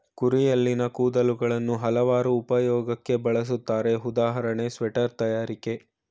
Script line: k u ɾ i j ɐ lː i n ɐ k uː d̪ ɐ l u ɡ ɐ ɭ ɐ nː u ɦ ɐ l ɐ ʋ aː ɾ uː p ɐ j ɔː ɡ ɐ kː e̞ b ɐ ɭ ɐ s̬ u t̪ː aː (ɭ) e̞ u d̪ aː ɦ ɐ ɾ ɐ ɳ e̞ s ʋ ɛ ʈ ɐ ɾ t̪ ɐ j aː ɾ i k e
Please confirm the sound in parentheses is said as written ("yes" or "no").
no